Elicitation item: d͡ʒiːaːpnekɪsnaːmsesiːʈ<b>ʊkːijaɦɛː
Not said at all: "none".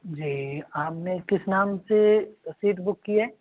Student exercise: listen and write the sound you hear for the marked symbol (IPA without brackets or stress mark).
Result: b